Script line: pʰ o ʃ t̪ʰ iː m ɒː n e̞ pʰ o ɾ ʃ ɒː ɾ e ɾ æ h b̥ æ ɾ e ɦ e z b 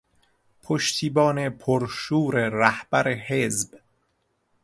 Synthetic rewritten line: pʰ o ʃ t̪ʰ iː b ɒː n e̞ pʰ o ɾ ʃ uː ɾ e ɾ æ h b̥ æ ɾ e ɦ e z b